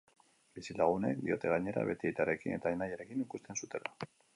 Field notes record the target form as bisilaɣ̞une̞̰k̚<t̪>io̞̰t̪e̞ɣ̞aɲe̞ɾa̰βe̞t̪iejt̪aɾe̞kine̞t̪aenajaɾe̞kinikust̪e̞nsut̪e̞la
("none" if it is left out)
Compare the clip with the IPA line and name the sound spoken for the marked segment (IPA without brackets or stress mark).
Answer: d̪